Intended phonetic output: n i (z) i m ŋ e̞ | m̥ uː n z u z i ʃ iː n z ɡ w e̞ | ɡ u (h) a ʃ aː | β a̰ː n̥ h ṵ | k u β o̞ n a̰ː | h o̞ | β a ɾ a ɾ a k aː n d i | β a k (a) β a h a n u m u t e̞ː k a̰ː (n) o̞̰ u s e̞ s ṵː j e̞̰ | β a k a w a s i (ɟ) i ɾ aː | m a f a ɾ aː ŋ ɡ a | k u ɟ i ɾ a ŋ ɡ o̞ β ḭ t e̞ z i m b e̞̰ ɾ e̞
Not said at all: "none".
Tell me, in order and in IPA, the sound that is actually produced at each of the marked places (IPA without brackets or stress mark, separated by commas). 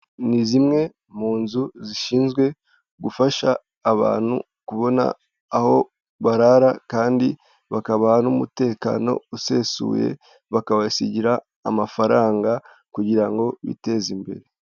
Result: z, f, a, n, ɟ